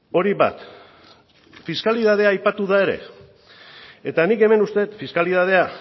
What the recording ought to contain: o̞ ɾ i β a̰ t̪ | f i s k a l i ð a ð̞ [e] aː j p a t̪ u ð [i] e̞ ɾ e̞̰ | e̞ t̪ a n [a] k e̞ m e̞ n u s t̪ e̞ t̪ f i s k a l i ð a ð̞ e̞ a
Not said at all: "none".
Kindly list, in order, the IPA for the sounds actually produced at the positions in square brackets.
e, a, i

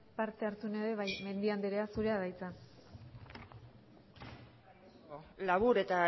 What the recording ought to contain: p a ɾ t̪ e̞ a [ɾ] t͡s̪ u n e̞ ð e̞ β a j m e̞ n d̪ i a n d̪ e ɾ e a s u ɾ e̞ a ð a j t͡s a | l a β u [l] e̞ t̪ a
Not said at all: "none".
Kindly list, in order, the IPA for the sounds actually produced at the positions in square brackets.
ɾ, ɾ

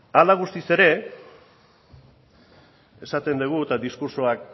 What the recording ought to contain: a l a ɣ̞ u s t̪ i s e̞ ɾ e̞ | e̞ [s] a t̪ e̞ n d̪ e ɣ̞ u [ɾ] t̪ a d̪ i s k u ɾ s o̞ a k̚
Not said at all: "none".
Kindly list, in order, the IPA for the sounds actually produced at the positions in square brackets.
s, none

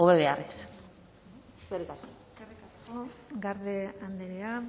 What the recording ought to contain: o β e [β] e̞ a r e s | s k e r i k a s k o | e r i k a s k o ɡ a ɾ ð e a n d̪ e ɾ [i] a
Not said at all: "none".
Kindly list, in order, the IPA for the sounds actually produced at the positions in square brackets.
β, e

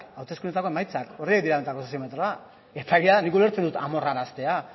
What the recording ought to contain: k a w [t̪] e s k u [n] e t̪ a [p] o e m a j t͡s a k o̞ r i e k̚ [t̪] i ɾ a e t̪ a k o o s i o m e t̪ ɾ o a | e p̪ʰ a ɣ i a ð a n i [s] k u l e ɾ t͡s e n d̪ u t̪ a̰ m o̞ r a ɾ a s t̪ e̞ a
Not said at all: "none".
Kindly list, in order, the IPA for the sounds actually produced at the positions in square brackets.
t̪, n, k, d̪, none

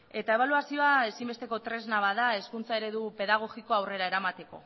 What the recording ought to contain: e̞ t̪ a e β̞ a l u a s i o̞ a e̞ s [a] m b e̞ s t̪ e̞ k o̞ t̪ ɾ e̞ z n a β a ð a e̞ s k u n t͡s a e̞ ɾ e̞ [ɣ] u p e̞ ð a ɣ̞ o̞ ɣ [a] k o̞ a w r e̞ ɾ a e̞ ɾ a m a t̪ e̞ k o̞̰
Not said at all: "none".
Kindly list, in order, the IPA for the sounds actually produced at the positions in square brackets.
i, ð, i

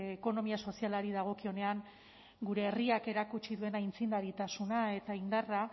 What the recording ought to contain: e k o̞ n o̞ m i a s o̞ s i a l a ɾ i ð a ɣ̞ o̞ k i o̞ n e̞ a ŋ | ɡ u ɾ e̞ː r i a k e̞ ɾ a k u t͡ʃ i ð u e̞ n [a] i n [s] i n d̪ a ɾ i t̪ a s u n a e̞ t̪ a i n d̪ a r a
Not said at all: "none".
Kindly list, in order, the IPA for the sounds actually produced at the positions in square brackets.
a, t͡s

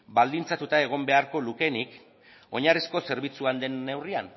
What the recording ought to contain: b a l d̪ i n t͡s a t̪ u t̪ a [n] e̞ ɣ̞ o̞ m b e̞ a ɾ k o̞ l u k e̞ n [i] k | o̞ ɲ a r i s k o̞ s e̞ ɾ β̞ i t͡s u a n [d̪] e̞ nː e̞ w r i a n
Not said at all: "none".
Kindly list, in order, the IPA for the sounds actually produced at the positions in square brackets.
none, i, d̪

